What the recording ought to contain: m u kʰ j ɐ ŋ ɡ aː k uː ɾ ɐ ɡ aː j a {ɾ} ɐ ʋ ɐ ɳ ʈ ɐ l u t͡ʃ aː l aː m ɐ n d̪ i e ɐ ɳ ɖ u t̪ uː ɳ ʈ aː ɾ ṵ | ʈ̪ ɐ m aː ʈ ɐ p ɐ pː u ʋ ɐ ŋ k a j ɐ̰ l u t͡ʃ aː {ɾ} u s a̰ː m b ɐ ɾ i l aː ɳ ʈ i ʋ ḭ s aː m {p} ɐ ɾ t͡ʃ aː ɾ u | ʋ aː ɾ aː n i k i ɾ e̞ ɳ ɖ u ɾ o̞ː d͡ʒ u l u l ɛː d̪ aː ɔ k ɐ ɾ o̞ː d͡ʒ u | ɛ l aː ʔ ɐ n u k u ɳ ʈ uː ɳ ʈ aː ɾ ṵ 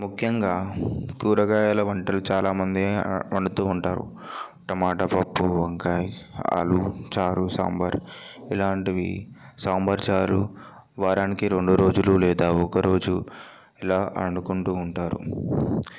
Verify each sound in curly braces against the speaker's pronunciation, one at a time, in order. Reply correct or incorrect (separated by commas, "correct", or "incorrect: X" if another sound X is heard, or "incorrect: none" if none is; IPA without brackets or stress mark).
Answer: incorrect: l, correct, incorrect: b